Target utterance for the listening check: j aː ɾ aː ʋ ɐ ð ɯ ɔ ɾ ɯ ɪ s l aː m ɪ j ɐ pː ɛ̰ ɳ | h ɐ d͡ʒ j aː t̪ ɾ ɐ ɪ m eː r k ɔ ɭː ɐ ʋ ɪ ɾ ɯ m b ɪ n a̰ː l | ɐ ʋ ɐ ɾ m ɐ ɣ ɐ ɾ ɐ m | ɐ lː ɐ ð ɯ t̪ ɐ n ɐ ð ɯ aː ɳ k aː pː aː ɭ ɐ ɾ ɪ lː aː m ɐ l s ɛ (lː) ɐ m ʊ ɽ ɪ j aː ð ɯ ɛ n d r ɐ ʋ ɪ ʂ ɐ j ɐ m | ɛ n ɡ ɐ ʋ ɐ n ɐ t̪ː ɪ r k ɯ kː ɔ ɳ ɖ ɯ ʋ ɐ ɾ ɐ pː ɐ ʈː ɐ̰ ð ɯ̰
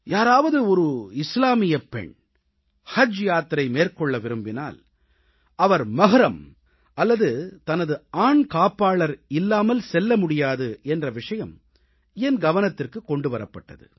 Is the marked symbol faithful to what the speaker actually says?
yes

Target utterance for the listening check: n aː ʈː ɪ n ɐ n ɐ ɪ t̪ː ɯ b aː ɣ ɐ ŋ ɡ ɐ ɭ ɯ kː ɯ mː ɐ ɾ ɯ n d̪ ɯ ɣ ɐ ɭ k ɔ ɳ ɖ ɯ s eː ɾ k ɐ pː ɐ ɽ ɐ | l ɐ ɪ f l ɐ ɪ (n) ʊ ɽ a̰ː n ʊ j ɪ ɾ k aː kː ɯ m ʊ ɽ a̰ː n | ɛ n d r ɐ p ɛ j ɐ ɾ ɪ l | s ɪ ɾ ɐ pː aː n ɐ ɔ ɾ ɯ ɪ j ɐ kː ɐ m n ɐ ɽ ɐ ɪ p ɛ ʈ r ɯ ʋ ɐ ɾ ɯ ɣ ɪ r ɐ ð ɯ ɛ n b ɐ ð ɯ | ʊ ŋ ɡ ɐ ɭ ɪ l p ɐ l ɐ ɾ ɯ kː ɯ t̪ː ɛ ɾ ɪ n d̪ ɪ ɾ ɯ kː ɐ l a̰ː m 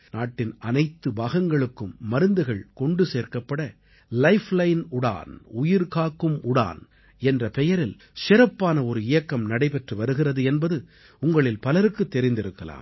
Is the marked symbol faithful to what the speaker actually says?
yes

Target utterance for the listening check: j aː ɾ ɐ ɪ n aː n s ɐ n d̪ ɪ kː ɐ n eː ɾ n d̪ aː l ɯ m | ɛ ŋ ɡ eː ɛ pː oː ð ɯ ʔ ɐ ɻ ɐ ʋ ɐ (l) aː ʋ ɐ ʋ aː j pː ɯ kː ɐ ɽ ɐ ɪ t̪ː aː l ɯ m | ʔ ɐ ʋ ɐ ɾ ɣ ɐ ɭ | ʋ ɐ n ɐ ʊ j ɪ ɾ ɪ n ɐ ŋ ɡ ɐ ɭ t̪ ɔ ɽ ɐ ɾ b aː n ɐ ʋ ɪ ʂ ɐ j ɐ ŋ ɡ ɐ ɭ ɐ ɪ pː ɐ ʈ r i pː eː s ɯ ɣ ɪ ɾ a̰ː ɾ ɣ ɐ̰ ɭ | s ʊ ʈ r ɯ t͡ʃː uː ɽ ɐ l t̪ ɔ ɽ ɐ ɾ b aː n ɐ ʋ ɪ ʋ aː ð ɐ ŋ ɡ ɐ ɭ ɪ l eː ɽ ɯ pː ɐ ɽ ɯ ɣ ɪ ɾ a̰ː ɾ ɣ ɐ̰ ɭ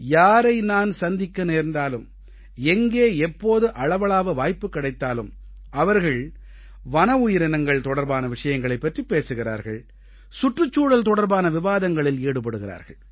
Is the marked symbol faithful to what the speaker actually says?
no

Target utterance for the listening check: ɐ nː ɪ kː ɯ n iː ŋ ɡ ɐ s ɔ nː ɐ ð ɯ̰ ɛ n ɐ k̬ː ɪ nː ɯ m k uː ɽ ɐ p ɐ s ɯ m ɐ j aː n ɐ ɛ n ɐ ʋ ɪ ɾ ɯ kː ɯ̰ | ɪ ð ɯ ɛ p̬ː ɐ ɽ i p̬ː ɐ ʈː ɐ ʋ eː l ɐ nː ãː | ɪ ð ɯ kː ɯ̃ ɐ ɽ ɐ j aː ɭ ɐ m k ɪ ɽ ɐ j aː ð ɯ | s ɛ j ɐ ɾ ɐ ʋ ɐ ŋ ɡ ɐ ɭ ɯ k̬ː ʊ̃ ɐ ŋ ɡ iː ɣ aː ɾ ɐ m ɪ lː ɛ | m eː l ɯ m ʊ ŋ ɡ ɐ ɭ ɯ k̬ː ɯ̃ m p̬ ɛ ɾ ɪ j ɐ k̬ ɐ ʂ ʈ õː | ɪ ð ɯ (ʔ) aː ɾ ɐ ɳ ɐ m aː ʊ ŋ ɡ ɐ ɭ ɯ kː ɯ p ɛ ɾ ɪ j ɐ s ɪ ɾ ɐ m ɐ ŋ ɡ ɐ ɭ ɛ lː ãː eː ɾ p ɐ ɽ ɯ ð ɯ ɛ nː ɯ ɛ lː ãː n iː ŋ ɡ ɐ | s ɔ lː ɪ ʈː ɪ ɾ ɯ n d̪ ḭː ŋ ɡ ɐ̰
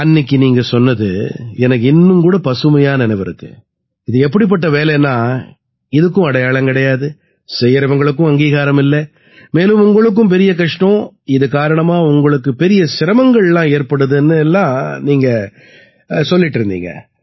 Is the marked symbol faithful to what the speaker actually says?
no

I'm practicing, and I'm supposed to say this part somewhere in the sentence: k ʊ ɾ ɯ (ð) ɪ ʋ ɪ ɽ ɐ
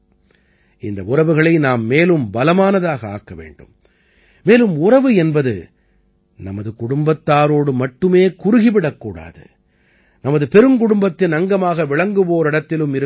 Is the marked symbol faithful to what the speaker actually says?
no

